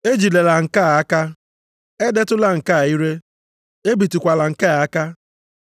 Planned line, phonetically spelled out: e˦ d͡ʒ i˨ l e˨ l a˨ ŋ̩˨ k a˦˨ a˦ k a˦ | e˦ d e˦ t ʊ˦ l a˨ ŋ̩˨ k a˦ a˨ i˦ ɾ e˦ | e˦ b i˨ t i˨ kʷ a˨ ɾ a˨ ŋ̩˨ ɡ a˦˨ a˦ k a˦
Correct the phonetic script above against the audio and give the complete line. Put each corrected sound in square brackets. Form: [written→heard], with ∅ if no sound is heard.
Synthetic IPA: e˦ d͡ʒ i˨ l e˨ l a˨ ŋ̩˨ k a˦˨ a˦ k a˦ | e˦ d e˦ t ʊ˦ l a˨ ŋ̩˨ k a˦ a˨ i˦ ɾ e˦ | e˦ b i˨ t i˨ kʷ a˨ [ɾ→l] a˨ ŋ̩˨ [ɡ→k] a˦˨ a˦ k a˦